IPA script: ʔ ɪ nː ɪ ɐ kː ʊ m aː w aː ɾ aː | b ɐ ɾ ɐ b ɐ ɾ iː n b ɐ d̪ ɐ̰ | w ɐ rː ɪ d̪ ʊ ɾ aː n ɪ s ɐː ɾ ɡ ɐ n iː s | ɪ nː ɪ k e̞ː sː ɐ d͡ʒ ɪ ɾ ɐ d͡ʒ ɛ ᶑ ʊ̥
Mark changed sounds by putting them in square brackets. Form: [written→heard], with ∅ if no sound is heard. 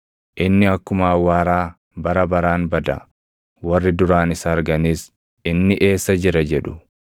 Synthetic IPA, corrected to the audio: ʔ ɪ nː ɪ ɐ kː ʊ m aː w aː ɾ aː | b ɐ ɾ ɐ b ɐ ɾ [iː→aː] n b ɐ d̪ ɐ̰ | w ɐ rː ɪ d̪ ʊ ɾ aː n ɪ s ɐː ɾ ɡ ɐ n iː s | ɪ nː ɪ [k→ʔ] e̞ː sː ɐ d͡ʒ ɪ ɾ ɐ d͡ʒ ɛ ᶑ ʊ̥